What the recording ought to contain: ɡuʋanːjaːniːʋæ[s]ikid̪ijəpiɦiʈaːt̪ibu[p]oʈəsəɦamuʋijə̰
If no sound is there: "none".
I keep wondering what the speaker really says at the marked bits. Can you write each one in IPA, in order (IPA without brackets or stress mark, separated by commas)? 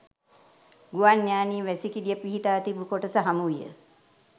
s, k